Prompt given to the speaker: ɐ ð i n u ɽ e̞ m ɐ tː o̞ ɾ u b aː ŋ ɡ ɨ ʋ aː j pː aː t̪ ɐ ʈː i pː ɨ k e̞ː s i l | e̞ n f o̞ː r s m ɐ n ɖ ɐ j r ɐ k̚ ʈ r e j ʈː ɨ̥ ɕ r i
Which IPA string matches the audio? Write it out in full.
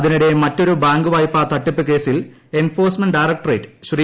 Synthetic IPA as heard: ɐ ð i n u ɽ e̞ m ɐ tː o̞ ɾ u b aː ŋ ɡ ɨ ʋ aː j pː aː t̪ ɐ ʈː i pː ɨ k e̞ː s i l | e̞ n f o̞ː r s m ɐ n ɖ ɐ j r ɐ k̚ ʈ r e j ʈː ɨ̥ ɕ r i